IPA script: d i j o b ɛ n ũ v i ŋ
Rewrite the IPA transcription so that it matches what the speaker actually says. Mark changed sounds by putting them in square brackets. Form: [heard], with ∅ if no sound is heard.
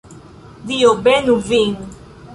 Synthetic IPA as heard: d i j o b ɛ n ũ v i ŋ